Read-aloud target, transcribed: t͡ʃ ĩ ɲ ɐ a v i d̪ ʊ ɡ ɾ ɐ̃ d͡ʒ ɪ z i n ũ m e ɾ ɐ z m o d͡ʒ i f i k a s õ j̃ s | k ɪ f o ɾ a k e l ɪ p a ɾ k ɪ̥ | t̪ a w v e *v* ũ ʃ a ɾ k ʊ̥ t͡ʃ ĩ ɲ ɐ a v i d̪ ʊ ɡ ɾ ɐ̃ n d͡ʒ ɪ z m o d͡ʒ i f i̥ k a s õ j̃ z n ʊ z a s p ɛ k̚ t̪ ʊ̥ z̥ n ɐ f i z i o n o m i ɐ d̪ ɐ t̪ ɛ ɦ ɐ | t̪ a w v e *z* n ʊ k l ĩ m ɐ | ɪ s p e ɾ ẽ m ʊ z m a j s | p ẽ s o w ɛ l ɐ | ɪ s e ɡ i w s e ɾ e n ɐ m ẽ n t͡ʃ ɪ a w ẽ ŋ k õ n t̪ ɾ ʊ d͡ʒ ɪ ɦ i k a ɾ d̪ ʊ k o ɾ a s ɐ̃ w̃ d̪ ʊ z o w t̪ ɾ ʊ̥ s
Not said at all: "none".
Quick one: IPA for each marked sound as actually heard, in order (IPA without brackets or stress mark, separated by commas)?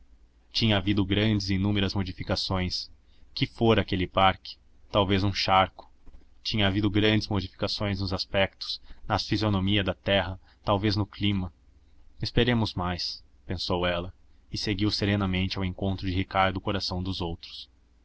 z, z